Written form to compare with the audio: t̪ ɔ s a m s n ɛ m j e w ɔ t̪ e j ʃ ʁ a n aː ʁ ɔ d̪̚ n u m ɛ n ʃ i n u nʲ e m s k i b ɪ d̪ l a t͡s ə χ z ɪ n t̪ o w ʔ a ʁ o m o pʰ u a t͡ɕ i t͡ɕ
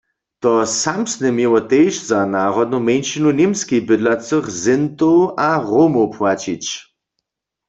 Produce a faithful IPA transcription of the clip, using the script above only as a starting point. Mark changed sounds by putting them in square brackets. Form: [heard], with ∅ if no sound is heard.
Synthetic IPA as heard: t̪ ɔ s a m s n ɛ m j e w ɔ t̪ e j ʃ [z] a n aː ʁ ɔ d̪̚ n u m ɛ n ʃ i n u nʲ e m s k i b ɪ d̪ l a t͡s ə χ z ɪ n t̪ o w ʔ a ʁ o m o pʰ [w] a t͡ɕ i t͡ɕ